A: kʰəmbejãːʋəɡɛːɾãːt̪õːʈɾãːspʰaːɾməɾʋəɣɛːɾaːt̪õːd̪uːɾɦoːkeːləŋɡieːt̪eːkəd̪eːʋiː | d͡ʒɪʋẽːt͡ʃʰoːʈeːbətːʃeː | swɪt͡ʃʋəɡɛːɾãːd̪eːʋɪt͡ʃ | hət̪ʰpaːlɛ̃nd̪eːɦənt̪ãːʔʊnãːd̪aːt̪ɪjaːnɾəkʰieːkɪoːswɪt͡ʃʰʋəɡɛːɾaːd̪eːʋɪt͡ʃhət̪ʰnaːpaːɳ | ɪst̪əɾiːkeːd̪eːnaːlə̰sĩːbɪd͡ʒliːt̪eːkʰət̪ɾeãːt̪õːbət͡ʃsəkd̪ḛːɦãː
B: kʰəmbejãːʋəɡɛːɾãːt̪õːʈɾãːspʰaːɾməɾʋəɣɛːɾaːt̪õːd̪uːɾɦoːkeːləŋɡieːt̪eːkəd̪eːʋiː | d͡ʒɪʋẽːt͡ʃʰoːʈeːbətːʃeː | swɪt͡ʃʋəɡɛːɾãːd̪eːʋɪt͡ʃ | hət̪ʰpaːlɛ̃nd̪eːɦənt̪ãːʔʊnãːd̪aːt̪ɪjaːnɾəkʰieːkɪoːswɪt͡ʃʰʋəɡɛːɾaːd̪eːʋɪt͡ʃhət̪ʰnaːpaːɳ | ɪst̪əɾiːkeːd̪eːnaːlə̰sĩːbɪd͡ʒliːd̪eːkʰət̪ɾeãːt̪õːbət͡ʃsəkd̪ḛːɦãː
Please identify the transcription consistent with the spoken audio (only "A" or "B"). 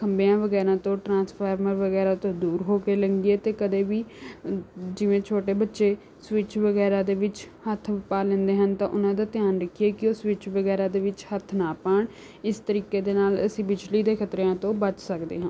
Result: B